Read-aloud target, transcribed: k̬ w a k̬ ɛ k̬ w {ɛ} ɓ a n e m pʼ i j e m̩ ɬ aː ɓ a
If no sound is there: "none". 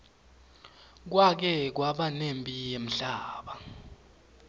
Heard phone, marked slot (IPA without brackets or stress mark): a